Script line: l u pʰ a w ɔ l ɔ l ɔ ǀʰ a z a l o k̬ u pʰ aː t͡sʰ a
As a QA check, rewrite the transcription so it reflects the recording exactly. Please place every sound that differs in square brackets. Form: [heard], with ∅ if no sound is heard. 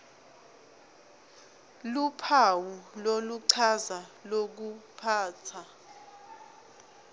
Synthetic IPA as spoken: l u pʰ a w [u] l [o] l [u] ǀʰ a z a l o k̬ u pʰ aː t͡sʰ a